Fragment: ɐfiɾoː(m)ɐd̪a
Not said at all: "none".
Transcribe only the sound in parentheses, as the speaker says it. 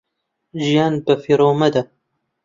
m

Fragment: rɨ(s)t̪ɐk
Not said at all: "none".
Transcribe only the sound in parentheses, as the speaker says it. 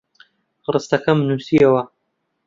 s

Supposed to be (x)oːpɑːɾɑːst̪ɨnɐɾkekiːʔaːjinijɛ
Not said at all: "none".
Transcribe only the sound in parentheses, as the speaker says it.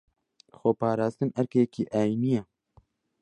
x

